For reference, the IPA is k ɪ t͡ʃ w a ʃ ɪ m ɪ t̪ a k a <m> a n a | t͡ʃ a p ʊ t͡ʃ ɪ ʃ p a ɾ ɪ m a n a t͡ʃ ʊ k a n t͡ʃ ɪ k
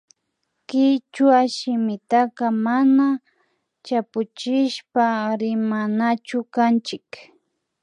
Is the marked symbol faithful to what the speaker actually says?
yes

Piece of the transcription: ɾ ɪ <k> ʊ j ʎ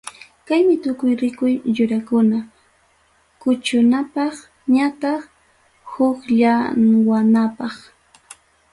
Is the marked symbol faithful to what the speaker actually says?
yes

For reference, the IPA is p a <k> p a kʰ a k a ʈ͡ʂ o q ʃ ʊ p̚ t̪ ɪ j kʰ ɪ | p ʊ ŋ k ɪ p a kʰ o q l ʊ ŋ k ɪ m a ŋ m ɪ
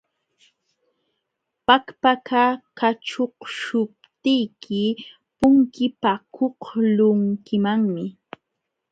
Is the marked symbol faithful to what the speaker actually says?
yes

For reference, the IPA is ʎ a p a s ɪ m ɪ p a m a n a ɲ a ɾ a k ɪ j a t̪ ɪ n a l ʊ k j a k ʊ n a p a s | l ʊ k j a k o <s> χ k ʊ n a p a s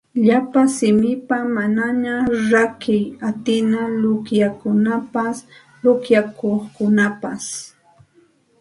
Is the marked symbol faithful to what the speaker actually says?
no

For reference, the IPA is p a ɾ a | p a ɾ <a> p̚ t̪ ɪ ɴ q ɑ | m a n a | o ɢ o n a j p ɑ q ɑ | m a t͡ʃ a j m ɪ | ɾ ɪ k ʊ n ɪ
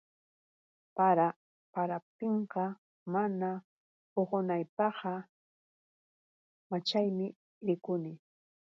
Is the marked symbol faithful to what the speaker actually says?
yes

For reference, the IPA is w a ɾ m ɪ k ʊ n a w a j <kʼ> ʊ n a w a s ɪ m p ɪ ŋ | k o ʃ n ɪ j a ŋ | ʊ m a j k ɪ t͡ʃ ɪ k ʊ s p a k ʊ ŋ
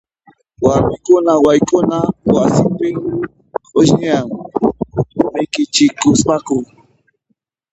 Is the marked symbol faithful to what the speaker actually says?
no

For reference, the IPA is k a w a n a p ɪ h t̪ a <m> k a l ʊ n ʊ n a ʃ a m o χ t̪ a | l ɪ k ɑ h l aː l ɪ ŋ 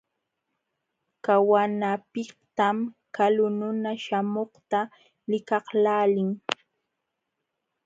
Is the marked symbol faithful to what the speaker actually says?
yes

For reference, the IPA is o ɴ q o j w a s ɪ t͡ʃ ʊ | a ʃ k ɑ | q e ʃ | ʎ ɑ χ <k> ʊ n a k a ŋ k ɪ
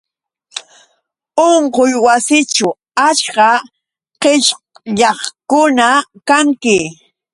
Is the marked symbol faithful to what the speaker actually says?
yes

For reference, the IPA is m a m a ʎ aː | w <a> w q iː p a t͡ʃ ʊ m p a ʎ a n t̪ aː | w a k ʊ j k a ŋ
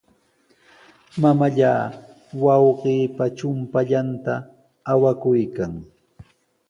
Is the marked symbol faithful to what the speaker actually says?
no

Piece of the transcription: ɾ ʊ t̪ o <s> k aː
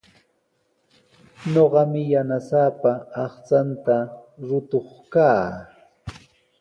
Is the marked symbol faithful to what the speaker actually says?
no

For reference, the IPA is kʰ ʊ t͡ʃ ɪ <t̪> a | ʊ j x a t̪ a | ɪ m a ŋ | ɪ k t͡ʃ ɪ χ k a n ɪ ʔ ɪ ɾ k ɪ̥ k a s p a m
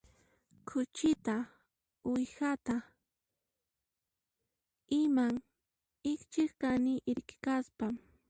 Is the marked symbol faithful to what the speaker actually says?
yes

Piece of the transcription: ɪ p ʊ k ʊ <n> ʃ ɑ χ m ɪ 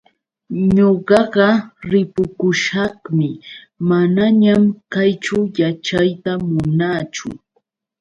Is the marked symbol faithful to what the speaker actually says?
no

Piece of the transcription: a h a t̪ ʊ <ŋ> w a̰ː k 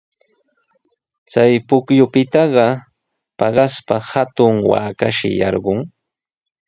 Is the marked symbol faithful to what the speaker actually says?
yes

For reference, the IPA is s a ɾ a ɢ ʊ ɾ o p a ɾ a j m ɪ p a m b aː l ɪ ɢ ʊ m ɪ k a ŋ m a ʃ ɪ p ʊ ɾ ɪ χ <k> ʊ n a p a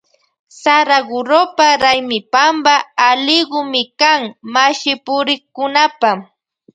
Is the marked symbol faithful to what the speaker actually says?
yes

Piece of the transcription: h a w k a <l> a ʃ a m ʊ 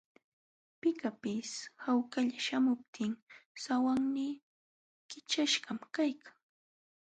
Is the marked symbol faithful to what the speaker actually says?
no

